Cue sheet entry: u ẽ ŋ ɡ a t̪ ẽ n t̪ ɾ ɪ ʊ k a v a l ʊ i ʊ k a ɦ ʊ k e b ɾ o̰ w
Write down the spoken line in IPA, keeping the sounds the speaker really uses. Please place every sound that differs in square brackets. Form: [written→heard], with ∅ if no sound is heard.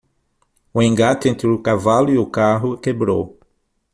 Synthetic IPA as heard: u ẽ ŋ ɡ a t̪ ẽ n t̪ ɾ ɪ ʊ k a v a l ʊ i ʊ k a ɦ ʊ k e b ɾ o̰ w